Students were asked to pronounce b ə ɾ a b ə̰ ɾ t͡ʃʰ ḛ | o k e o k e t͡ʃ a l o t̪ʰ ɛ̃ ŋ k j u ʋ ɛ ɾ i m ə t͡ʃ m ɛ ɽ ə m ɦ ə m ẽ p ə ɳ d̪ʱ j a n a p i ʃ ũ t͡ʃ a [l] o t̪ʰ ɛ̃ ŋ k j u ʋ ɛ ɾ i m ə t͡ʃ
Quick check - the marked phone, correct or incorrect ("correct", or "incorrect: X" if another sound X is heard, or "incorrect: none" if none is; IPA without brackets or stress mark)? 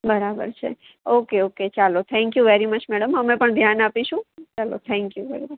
correct